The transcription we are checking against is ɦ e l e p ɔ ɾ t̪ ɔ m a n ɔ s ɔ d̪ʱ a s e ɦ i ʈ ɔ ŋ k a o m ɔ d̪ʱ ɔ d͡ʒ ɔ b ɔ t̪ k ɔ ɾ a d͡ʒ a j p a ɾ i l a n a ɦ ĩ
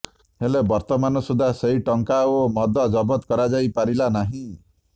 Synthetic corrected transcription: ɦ e l e b ɔ ɾ t̪ ɔ m a n ɔ s u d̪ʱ a s e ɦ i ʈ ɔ ŋ k a o m ɔ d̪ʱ ɔ d͡ʒ ɔ b ɔ t̪ k ɔ ɾ a d͡ʒ a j p a ɾ i l a n a ɦ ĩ